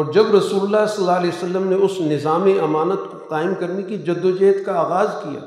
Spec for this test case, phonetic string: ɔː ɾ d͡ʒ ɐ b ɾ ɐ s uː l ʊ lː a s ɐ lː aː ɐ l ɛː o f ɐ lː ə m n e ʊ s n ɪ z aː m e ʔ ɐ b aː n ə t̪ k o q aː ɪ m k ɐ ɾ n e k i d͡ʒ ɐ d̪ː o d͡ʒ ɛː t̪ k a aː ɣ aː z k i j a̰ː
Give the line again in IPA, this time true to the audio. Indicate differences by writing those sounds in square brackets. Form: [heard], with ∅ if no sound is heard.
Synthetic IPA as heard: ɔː ɾ d͡ʒ ɐ b ɾ ɐ s uː l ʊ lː a s ɐ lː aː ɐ l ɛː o [s] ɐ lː ə m n e ʊ s n ɪ z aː m e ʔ ɐ [m] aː n ə t̪ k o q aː ɪ m k ɐ ɾ n e k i d͡ʒ ɐ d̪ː o d͡ʒ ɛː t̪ k a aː ɣ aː z k i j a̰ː